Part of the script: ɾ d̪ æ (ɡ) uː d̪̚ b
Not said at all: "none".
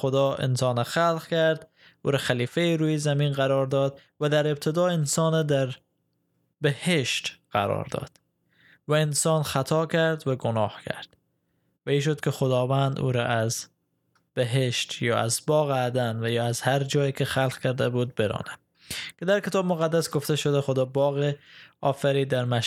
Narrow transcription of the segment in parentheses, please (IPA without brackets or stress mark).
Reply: b